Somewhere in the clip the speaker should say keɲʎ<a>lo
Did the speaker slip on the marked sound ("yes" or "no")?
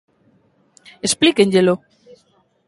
yes